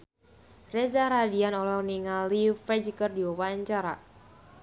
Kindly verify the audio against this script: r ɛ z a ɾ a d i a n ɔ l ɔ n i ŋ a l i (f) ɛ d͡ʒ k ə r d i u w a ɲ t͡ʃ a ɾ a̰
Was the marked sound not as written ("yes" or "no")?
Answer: no